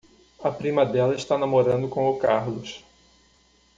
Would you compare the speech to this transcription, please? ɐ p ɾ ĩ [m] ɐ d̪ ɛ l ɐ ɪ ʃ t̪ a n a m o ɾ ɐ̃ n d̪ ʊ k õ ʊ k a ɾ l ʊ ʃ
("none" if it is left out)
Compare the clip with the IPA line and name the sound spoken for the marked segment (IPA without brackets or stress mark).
m